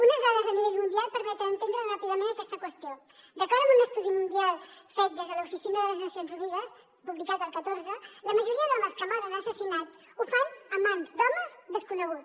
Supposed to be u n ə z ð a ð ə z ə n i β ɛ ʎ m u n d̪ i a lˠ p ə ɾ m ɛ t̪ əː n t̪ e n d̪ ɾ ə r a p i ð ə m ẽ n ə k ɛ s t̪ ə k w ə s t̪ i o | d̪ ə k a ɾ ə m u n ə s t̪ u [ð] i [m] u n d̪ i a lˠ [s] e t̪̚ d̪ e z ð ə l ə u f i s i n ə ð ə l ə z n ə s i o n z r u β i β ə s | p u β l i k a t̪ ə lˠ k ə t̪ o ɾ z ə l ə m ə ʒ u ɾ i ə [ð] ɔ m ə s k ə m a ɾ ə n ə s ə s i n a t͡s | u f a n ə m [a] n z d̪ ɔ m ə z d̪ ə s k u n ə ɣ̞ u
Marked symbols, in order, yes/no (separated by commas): yes, yes, no, yes, yes